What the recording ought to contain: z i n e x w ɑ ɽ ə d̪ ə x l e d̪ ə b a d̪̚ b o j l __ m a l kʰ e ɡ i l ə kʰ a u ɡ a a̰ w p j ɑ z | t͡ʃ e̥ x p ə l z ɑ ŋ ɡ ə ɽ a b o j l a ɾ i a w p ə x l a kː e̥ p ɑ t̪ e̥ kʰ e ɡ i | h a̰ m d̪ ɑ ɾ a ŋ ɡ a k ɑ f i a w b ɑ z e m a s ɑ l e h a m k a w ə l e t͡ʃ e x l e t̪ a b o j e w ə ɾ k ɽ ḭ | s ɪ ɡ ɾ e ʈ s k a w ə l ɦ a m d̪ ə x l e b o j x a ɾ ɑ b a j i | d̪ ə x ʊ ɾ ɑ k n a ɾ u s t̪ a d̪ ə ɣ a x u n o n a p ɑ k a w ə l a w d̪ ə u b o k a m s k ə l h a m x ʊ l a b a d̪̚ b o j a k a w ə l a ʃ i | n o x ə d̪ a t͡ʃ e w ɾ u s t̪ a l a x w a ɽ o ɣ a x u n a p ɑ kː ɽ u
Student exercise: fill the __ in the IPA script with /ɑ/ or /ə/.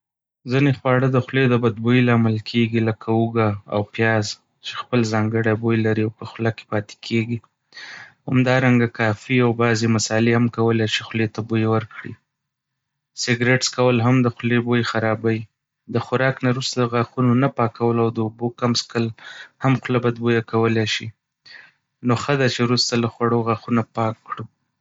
ɑ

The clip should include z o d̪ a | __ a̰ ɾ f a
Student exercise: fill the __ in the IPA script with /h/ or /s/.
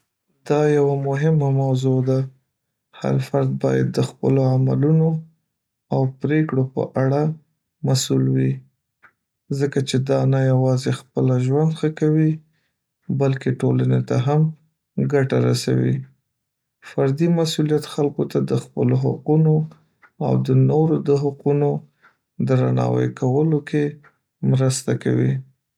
h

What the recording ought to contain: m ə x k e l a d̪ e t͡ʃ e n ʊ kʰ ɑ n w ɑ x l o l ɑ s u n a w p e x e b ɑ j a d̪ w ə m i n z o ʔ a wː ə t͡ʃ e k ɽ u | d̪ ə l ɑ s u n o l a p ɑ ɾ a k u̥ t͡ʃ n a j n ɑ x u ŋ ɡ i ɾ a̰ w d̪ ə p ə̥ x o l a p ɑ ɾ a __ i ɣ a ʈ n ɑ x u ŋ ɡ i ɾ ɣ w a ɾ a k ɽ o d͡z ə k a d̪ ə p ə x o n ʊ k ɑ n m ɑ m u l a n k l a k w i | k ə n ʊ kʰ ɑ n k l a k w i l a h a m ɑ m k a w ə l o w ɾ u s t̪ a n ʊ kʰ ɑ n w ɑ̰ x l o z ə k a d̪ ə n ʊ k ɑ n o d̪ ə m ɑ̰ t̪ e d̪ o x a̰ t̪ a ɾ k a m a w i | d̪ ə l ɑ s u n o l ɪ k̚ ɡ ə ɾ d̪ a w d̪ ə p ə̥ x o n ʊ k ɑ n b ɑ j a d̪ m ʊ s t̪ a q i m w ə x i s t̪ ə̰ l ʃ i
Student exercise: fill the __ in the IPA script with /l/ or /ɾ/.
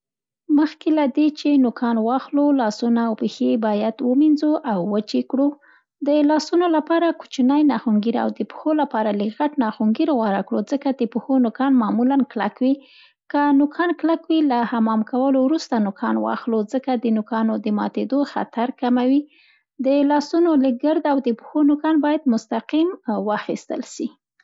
l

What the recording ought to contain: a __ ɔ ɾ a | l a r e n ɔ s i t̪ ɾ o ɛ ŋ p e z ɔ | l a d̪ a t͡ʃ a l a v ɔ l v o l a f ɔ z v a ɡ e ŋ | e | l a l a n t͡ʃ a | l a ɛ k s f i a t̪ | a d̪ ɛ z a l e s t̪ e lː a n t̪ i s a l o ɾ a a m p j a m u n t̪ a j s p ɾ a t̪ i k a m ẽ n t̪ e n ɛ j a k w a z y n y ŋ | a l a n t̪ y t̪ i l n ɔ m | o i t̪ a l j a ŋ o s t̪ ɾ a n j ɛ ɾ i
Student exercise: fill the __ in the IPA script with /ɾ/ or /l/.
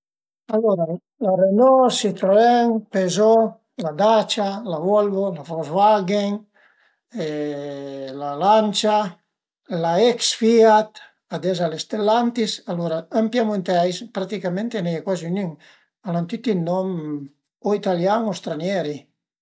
l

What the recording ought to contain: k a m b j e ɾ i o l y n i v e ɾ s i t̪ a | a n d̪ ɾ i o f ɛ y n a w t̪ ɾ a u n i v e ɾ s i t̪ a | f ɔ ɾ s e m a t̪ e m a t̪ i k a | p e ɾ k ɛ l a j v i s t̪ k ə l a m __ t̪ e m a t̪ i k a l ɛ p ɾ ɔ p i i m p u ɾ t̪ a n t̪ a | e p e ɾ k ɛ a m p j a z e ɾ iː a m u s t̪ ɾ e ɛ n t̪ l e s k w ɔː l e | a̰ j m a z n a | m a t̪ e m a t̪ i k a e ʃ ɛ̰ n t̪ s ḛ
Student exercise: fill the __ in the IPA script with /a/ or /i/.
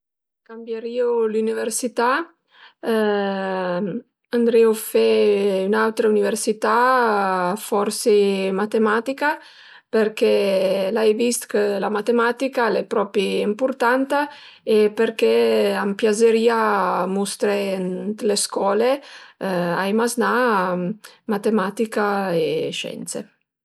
a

